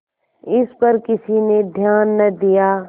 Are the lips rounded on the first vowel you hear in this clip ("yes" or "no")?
no